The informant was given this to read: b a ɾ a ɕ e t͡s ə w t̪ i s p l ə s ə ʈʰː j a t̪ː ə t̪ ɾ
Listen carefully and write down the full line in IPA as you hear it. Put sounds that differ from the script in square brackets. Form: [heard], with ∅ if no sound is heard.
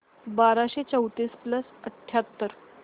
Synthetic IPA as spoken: b a ɾ a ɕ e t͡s ə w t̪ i s p l ə s ə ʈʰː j a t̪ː ə [∅] ɾ